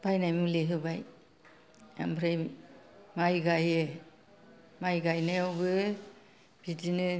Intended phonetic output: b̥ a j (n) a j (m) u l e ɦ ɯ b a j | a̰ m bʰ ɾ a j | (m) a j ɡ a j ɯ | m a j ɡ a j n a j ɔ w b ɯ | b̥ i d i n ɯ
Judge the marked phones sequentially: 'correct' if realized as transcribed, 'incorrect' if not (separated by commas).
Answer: correct, correct, correct